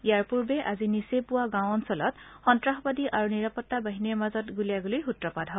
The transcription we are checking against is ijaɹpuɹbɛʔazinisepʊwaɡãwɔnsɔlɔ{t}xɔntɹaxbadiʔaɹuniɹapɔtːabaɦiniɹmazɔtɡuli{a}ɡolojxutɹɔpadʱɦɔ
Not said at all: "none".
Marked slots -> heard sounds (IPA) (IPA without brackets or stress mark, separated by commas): t, a